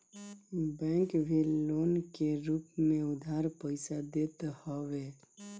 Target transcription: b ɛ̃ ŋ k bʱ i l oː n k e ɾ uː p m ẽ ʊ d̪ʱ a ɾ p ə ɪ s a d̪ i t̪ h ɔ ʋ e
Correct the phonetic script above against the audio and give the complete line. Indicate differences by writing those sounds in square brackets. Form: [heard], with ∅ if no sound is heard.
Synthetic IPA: b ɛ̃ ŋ k bʱ i l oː n k e ɾ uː p m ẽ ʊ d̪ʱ a ɾ p ə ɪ s a d̪ [e] t̪ h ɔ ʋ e